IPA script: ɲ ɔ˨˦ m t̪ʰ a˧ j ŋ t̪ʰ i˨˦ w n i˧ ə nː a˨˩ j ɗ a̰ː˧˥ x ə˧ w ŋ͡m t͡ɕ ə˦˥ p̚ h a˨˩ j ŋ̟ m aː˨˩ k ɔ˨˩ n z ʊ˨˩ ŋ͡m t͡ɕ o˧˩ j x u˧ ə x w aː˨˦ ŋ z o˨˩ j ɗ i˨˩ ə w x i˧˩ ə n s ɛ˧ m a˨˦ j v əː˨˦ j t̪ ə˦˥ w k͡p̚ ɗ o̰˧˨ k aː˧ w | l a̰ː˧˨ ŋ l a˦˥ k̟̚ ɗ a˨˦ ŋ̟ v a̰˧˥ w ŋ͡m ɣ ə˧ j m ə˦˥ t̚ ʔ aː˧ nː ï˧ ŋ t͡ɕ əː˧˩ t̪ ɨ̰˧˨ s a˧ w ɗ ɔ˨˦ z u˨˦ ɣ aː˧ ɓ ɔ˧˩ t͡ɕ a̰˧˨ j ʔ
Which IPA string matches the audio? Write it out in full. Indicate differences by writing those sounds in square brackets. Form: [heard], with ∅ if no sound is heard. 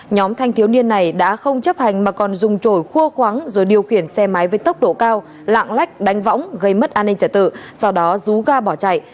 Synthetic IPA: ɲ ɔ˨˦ m t̪ʰ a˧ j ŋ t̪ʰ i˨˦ w n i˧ ə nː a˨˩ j ɗ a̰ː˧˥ x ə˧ w ŋ͡m t͡ɕ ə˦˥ p̚ h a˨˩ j ŋ̟ m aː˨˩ k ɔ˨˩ n z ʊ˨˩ ŋ͡m t͡ɕ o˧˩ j x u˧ ə x w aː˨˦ ŋ z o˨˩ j ɗ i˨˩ ə w x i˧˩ ə n s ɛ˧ m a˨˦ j v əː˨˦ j t̪ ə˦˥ w k͡p̚ ɗ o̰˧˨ k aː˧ w | l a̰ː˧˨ ŋ l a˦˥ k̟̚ ɗ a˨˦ ŋ̟ v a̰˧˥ w ŋ͡m ɣ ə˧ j m ə˦˥ t̚ ʔ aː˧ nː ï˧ ŋ t͡ɕ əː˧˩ t̪ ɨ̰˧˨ s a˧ w ɗ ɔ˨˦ z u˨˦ ɣ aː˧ ɓ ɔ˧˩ t͡ɕ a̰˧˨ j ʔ